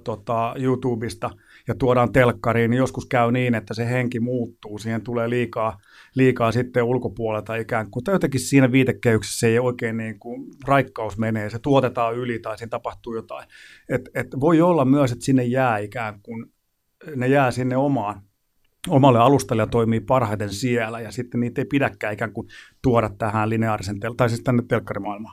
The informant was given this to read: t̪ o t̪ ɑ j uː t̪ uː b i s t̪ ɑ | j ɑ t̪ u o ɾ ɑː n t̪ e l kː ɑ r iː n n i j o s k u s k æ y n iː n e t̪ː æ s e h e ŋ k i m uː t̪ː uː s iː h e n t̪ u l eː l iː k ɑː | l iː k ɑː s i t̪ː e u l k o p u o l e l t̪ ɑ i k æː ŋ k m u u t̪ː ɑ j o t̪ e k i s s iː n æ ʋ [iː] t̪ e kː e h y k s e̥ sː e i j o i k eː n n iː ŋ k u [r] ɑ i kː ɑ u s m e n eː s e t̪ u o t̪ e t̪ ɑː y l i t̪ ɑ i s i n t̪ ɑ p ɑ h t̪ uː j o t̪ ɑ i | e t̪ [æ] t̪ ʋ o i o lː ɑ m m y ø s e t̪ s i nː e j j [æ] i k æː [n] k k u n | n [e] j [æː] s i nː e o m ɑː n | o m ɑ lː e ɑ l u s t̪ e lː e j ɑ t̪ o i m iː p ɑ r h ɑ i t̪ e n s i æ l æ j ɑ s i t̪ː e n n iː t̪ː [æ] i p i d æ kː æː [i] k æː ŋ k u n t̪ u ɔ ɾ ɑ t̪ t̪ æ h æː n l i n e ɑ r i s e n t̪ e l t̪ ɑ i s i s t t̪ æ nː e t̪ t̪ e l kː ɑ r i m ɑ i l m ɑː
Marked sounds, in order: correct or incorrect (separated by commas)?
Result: correct, correct, incorrect, incorrect, incorrect, correct, correct, incorrect, correct